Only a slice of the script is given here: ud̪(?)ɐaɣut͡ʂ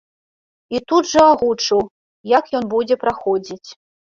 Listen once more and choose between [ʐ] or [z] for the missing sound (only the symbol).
ʐ